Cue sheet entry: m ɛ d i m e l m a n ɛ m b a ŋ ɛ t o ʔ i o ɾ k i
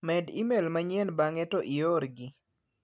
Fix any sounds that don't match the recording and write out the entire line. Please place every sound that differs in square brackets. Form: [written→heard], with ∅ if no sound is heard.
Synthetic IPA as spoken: m ɛ d i m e l m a [n→ɲ] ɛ [m→n] b a ŋ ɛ t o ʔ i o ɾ [k→ɡ] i